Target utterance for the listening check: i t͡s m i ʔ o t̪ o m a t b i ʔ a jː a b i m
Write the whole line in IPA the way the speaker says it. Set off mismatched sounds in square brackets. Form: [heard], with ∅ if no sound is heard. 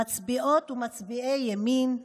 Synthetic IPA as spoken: [a] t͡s [b] i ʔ o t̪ [u] m a [t͡s] b i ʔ [e] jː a [m] i [n]